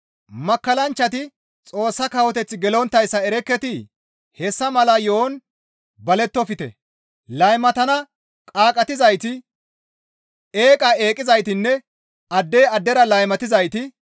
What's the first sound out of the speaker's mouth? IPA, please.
m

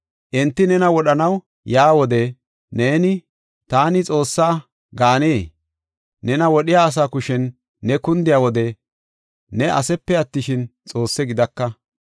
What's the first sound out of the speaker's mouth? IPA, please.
ʔ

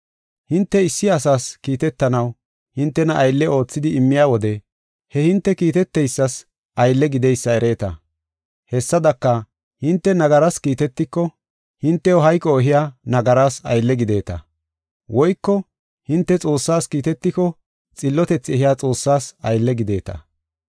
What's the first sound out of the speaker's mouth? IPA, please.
h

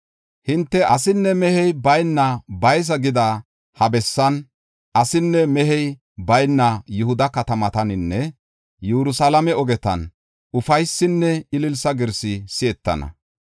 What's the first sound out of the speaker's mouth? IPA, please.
h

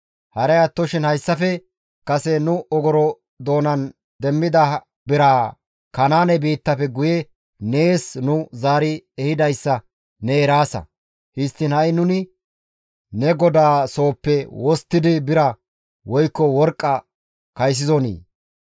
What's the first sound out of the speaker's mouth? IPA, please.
h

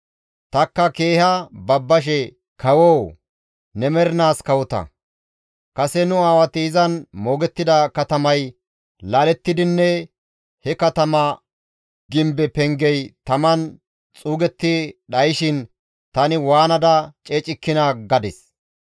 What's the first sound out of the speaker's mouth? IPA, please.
t̪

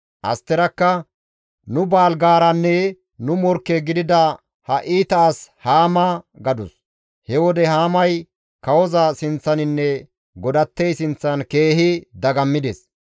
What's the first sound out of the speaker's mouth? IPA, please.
ʔ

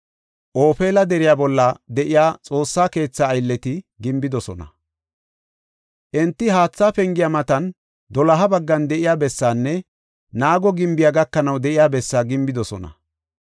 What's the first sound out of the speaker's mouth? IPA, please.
ʔ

